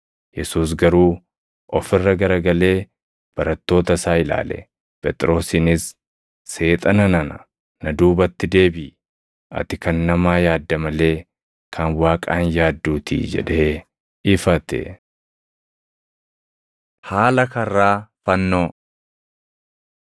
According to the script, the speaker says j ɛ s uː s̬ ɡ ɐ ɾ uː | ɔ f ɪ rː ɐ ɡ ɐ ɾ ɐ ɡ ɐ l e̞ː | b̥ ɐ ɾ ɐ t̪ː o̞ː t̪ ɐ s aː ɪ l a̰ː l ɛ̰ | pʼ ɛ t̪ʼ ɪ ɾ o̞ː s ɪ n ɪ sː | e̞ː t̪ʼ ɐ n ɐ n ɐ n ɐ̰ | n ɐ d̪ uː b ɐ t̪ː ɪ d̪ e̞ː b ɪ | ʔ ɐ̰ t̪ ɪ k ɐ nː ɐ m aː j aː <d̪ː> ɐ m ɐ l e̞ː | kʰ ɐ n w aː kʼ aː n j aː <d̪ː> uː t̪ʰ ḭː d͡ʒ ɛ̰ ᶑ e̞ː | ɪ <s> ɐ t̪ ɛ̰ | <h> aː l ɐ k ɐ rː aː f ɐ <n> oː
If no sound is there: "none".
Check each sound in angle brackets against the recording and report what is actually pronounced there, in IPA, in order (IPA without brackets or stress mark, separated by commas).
d̪ː, d̪ː, f, h, nː